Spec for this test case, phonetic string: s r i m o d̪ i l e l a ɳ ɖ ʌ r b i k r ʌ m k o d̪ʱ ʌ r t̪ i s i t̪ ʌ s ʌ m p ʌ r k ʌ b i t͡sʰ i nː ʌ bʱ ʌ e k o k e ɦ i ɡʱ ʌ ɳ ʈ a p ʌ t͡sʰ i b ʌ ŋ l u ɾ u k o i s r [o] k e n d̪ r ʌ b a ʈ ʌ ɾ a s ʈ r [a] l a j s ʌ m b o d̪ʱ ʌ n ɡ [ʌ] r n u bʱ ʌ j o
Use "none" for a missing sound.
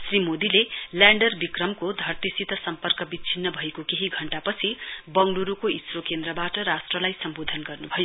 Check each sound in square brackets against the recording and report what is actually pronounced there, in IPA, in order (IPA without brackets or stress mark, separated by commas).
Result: o, ʌ, ʌ